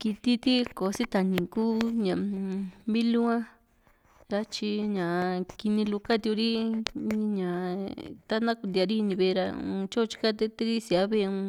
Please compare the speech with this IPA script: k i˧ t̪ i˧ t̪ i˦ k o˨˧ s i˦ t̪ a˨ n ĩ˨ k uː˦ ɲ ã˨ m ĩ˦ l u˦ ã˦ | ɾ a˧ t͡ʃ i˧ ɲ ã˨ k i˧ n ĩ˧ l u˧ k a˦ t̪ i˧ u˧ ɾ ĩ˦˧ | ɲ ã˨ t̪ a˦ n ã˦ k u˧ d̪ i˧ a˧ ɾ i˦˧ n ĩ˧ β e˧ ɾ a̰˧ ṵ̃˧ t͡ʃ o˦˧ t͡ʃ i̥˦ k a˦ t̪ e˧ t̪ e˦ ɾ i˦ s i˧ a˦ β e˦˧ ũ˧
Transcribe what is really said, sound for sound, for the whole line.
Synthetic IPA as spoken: k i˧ t̪ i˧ t̪ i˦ k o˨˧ s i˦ t̪ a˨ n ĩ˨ k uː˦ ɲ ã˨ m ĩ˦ l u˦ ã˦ | ɾ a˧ t͡ʃ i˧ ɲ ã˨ k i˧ n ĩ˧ l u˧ k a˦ t̪ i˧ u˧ ɾ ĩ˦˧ | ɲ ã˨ t̪ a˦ n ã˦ k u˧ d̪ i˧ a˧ ɾ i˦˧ n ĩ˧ β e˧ ɾ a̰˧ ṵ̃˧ t͡ʃ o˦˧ t͡ʃ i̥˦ k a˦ t̪ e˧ t̪ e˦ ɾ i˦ s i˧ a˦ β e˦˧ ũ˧